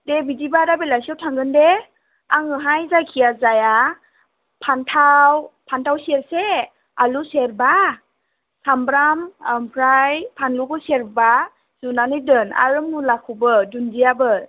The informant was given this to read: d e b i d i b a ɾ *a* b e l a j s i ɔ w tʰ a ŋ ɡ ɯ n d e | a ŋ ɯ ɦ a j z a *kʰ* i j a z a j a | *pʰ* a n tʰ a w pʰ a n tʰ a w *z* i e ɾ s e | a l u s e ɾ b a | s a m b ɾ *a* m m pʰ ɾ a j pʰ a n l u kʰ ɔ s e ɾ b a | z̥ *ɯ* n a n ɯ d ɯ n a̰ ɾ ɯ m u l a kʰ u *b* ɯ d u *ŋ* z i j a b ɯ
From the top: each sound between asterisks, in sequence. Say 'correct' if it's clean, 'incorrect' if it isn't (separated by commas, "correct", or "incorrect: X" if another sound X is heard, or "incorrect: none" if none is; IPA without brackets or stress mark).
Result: correct, correct, correct, incorrect: s, correct, incorrect: u, correct, incorrect: n